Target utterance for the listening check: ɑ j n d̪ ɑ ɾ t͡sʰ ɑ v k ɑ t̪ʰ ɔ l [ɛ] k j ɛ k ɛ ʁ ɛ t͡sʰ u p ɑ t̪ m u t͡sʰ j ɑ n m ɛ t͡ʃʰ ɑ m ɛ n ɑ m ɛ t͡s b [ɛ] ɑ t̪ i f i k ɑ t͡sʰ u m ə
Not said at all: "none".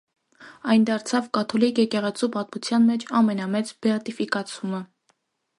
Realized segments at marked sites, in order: i, ɛ

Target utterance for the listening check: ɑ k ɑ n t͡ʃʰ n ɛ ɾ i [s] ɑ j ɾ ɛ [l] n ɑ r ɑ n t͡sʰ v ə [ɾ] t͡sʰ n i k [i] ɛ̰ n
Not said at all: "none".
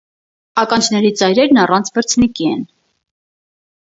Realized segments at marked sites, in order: t͡s, ɾ, ɾ, i

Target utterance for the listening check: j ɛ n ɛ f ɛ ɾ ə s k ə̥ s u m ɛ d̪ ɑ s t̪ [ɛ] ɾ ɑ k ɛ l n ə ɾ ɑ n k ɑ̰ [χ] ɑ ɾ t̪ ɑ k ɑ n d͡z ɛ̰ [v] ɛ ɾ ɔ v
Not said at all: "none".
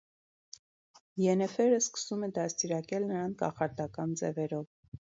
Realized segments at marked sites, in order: i, χ, v

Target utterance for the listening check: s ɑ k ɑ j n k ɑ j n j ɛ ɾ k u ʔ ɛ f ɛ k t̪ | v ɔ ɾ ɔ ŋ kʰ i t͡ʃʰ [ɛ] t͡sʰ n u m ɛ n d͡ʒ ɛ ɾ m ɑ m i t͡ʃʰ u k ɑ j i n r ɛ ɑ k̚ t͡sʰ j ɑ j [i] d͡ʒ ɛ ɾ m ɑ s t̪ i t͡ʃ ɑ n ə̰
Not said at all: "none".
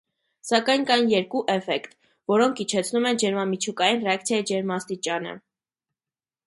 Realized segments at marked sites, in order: ɛ, i

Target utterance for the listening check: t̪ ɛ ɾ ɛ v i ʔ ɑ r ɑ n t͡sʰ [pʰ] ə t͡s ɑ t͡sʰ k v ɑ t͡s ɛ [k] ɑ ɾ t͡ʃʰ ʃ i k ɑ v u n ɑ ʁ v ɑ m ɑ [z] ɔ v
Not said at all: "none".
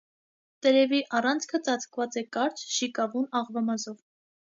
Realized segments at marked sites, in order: kʰ, k, z

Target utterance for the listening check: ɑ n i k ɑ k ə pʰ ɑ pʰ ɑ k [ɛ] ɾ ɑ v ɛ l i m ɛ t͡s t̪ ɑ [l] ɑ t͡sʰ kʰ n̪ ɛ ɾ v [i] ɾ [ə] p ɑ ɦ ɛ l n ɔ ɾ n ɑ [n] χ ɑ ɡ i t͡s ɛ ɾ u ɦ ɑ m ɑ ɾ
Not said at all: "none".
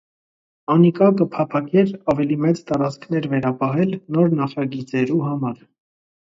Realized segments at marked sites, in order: ɛ, ɾ, ɛ, ɑ, none

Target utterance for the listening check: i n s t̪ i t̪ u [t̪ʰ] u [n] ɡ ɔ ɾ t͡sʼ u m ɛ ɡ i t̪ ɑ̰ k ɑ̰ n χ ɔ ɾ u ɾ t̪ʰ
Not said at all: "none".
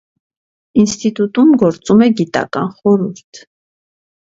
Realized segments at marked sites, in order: t̪, m

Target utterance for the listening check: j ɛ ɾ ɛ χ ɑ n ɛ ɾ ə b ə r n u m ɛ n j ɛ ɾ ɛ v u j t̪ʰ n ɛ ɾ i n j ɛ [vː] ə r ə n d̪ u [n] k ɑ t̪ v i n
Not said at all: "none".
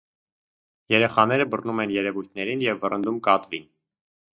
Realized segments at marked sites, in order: vː, m

